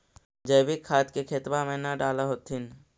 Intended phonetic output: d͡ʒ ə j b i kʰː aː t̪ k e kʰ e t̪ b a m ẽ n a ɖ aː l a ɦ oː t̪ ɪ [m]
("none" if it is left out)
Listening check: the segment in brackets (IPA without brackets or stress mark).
n